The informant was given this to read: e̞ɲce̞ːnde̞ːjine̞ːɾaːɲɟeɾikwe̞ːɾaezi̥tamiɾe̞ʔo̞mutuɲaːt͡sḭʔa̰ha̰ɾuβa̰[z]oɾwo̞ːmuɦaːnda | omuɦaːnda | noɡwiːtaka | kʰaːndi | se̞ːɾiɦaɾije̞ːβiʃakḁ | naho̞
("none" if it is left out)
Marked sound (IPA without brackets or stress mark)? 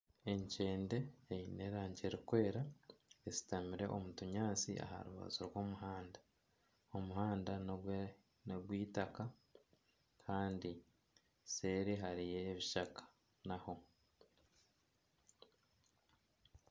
z